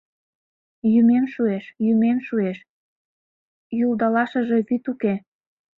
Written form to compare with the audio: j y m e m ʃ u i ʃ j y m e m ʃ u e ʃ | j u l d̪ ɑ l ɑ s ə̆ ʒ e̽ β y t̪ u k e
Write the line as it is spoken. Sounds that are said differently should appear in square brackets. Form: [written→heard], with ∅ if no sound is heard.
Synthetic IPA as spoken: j y m e m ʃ u [i→e] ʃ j y m e m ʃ u e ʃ | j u l d̪ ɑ l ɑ [s→ʃ] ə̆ ʒ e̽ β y t̪ u k e

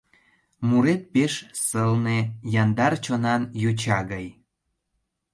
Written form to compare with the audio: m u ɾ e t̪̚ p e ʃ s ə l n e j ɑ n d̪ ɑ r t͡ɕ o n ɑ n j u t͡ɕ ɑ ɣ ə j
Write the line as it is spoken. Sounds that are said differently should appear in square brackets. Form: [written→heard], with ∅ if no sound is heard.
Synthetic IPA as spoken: m u ɾ e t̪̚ p e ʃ s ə l n e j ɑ n d̪ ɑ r t͡ɕ o n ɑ n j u t͡ɕ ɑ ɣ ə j

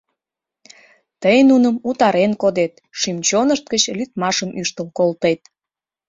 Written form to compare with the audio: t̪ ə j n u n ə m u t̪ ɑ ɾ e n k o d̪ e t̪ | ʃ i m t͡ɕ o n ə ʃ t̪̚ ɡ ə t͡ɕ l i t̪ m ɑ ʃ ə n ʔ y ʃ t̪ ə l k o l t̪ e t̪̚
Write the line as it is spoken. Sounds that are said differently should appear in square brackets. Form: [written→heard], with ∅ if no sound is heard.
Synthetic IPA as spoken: t̪ ə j n u n ə m u t̪ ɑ ɾ e n k o d̪ e t̪ | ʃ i m t͡ɕ o n ə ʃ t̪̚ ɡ ə t͡ɕ l [i→y] t̪ m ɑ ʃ ə [n→m] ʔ y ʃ t̪ ə l k o l t̪ e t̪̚

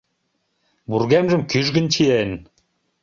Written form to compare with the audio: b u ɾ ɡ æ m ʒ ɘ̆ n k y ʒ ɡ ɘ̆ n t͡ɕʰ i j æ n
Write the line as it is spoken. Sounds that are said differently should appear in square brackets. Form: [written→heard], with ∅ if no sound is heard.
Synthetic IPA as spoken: b u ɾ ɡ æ m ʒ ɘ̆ [n→m] k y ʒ ɡ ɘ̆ n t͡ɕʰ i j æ n

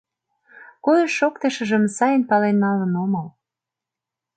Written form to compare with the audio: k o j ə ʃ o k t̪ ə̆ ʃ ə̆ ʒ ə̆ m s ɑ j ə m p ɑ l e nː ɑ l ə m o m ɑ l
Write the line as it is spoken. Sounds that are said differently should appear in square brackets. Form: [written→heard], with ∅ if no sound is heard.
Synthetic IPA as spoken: k o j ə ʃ o k t̪ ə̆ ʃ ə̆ ʒ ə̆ m s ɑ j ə [m→n] p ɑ l e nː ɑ l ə [m→n] o m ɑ l

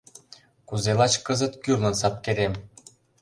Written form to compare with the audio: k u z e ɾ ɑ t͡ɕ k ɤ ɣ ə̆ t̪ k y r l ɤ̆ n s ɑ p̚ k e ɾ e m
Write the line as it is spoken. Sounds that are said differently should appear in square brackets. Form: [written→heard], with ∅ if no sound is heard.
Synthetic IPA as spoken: k u z e [ɾ→l] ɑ t͡ɕ k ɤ [ɣ→z] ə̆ t̪ k y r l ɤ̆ n s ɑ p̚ k e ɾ e m

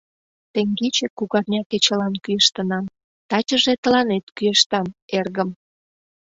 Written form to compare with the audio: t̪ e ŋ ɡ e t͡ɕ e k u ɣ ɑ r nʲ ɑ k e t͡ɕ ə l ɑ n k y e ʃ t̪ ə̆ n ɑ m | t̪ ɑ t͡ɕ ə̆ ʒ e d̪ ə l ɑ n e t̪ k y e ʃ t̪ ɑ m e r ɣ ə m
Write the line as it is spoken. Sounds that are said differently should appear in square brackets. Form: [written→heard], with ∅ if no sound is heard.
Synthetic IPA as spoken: t̪ e ŋ ɡ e t͡ɕ e k u ɣ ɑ r nʲ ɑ k e t͡ɕ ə l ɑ n k y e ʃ t̪ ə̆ n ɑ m | t̪ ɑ t͡ɕ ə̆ ʒ e [d̪→t̪] ə l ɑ n e t̪ k y e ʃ t̪ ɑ m e r ɣ ə m

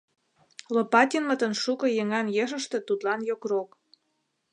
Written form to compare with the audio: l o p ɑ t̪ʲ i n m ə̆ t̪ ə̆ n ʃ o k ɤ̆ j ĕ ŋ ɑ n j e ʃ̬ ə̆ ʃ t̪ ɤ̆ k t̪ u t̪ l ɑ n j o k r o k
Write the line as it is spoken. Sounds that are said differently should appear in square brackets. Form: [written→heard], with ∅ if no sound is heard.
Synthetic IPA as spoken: l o p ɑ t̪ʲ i n m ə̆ t̪ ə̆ n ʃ [o→u] k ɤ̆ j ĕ ŋ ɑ n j e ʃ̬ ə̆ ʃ t̪ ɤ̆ [k→∅] t̪ u t̪ l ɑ n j o k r o k

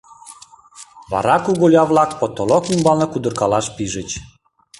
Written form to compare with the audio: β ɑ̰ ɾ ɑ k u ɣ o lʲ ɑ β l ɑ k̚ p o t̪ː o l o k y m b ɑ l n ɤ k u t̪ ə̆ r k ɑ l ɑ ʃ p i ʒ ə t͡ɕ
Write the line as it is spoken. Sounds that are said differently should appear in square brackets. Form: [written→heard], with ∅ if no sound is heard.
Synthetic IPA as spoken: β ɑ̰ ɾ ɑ k u ɣ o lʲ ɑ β l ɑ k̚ p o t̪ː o l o k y m b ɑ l n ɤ k u [t̪→d̪] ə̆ r k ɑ l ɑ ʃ p i ʒ ə t͡ɕ

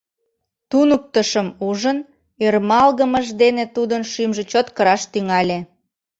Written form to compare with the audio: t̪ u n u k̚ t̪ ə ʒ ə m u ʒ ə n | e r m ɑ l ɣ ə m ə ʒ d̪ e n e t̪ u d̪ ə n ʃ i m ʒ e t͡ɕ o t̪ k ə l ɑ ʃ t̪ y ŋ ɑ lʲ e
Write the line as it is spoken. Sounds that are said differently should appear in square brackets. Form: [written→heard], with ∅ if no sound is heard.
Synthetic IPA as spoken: t̪ u n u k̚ t̪ ə [ʒ→ʃ] ə m u ʒ ə n | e r m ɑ l ɣ ə m ə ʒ d̪ e n e t̪ u d̪ ə n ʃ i m ʒ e t͡ɕ o t̪ k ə [l→ɾ] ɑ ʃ t̪ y ŋ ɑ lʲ e

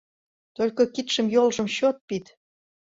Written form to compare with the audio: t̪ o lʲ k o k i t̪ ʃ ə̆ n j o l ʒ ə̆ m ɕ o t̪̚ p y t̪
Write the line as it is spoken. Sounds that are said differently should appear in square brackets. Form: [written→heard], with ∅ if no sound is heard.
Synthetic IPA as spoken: t̪ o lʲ k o k i t̪ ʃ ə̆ [n→m] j o l ʒ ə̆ m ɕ o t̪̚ p [y→i] t̪

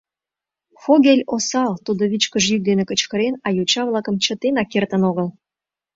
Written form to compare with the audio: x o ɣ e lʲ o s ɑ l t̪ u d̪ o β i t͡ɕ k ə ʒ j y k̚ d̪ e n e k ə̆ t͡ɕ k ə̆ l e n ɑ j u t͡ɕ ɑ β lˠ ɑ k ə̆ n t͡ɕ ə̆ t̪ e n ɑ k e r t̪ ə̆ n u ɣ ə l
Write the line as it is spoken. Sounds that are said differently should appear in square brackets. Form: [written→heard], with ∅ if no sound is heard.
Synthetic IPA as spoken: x o ɣ e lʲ o s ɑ l t̪ u d̪ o β i t͡ɕ k ə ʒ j y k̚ d̪ e n e k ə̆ t͡ɕ k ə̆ [l→ɾ] e n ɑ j u t͡ɕ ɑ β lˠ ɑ k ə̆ [n→m] t͡ɕ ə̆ t̪ e n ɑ k e r t̪ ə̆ n [u→o] ɣ ə l

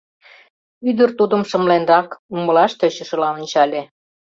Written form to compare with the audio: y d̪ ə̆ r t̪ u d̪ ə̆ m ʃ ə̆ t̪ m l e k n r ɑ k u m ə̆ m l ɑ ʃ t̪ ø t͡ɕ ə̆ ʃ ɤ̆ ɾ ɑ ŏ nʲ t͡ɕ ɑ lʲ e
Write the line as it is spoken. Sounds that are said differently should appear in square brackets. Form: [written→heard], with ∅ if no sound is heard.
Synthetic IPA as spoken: y d̪ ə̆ r t̪ u d̪ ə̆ m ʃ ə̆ [t̪→∅] m l e [k→∅] n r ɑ k u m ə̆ [m→∅] l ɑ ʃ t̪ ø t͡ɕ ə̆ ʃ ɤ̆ [ɾ→l] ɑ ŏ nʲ t͡ɕ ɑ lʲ e

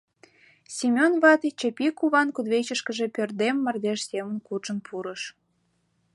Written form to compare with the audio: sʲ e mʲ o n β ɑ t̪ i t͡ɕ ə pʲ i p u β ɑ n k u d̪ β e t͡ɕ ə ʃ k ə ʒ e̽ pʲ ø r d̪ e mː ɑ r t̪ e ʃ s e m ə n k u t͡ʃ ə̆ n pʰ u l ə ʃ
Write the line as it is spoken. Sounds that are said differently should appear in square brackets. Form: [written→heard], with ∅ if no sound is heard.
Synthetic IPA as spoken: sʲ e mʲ o n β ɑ t̪ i t͡ɕ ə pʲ i [p→k] u β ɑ n k u d̪ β e t͡ɕ ə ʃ k ə ʒ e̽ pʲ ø r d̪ e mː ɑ r [t̪→d̪] e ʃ s e m ə n k u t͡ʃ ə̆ n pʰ u [l→ɾ] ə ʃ

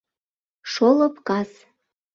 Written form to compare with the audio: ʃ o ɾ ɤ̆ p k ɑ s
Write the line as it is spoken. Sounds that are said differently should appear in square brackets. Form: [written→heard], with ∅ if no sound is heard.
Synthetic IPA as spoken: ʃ o [ɾ→l] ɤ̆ p k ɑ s

